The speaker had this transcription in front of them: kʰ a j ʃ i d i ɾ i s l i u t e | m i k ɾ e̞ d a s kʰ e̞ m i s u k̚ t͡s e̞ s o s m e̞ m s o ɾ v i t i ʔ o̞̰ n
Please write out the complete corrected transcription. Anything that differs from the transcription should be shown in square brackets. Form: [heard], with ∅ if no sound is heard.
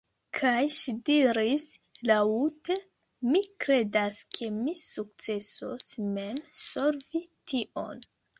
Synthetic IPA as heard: kʰ a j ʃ i d i ɾ i s l [a] u t e | m i k ɾ e̞ d a s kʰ e̞ m i s u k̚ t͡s e̞ s o s m e̞ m s o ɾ v i t i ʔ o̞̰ n

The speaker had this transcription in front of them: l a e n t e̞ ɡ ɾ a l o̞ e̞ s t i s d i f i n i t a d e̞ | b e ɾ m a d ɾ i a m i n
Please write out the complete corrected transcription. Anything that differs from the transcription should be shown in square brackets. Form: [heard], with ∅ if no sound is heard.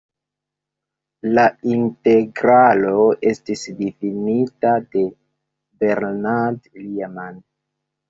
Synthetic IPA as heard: l a [i] n t e̞ ɡ ɾ a l o̞ e̞ s t i s d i f i n i t a d e̞ | b e ɾ [n] a d [l] i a m [a] n

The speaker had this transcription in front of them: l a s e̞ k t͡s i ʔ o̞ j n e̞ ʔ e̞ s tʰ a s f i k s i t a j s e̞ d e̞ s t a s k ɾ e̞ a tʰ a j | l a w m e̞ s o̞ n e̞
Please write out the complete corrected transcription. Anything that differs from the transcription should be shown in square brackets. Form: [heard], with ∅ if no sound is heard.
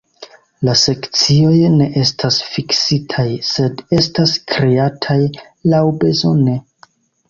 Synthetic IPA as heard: l a s e̞ k t͡s i [∅] o̞ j n e̞ ʔ e̞ s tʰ a s f i k s i [tʰ] a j s e̞ d e̞ s t a s k ɾ e̞ a tʰ a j | l a w [b] e̞ [z] o̞ n e̞

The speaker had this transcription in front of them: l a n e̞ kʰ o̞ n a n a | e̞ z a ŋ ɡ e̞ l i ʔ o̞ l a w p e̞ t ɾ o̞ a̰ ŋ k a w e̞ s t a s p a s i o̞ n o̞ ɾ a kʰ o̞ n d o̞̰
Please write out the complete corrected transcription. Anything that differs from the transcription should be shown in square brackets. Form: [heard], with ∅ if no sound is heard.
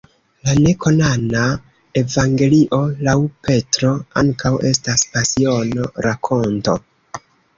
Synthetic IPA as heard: l a n e̞ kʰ o̞ n a n a | e̞ [v] a ŋ ɡ e̞ l i ʔ o̞ l a w p e̞ t ɾ o̞ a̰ ŋ k a w e̞ s t a s p a s i o̞ n o̞ ɾ a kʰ o̞ n [t] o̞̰

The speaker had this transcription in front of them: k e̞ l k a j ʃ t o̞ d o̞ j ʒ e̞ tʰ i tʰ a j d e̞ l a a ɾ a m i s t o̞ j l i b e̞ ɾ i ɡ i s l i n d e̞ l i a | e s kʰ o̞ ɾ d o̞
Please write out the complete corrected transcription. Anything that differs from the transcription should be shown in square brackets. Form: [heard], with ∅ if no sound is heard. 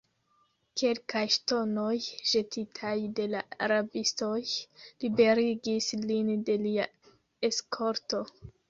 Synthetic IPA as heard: k e̞ l k a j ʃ t o̞ [n] o̞ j ʒ e̞ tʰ i tʰ a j d e̞ l a a ɾ a [b] i s t o̞ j l i b e̞ ɾ i ɡ i s l i n d e̞ l i a | e s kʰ o̞ ɾ [t] o̞

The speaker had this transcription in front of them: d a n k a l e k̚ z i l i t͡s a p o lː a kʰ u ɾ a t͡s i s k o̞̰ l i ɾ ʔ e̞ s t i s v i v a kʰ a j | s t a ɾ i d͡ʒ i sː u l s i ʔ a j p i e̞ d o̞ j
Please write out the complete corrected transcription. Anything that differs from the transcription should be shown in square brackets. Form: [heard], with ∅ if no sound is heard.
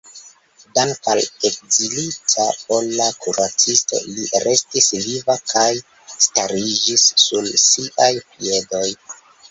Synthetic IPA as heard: d a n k a l e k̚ z i l i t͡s a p o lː a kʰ u ɾ a t͡s i s [t] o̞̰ l i ɾ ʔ e̞ s t i s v i v a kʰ a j | s t a ɾ i d͡ʒ i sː u l s i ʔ a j p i e̞ d o̞ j

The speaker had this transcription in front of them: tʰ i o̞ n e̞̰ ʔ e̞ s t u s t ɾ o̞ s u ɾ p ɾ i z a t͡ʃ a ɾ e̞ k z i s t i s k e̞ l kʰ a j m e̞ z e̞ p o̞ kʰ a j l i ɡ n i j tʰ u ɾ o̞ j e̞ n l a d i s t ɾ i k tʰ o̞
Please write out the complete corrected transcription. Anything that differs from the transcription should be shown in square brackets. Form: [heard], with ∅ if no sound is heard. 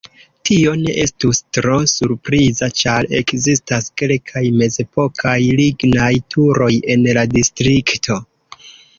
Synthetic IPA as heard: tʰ i o̞ n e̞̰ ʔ e̞ s t u s t ɾ o̞ s u ɾ p ɾ i z a t͡ʃ a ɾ e̞ k z i s t [a] s k e̞ l kʰ a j m e̞ z e̞ p o̞ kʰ a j l i ɡ n [a] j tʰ u ɾ o̞ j e̞ n l a d i s t ɾ i k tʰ o̞

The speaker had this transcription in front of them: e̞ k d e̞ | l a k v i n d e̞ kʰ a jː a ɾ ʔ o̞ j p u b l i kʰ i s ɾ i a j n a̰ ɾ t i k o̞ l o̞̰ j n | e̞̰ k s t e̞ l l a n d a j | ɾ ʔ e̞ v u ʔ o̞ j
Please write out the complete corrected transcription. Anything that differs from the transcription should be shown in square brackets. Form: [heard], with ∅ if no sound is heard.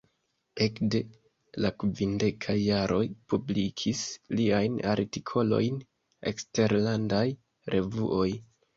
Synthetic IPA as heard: e̞ k d e̞ | l a k v i n d e̞ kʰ a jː a ɾ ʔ o̞ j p u b l i kʰ i s [l] i a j n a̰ ɾ t i [kʰ] o̞ l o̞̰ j n | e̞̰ k s t e̞ [ɾ] l a n d a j | ɾ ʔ e̞ v u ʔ o̞ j

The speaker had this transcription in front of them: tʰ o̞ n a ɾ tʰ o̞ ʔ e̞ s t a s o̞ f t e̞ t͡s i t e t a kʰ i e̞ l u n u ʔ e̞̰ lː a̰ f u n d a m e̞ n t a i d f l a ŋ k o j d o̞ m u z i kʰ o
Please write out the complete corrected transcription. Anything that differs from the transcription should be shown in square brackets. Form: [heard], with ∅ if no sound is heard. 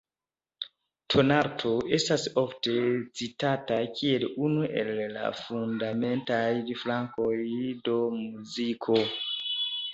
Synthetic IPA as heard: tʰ o̞ n a ɾ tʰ o̞ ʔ e̞ s t a s o̞ f t e̞ t͡s i t [a] t a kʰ i e̞ l u n u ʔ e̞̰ lː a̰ f u n d a m e̞ n t a [j] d f l a ŋ k o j d o̞ m u z i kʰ o

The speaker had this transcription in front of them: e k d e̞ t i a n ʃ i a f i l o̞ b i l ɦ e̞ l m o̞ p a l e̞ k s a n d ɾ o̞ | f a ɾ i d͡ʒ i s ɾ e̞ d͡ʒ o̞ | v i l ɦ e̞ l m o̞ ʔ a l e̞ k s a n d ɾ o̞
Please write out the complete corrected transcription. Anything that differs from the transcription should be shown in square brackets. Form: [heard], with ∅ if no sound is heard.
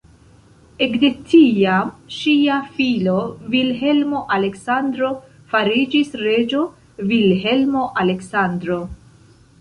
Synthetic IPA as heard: e k d e̞ t i a [m] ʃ i a f i l o̞ [v] i l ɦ e̞ l m o̞ [ʔ] a l e̞ k s a n d ɾ o̞ | f a ɾ i d͡ʒ i s ɾ e̞ d͡ʒ o̞ | v i l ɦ e̞ l m o̞ ʔ a l e̞ k s a n d ɾ o̞

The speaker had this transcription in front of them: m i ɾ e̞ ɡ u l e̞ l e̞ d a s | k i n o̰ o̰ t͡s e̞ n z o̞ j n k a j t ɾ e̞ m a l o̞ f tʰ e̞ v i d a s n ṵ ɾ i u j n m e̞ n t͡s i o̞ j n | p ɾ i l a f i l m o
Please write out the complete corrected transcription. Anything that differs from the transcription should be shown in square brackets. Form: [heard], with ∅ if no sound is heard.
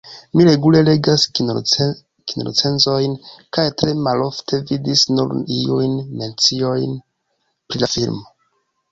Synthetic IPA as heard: m i ɾ e̞ ɡ u l e̞ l e̞ [ɡ] a s | k i n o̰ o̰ t͡s e̞ n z o̞ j n k a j t ɾ e̞ m a l o̞ f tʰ e̞ v i d [i] s n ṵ ɾ i u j n m e̞ n t͡s i o̞ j n | p ɾ i l a f i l m o

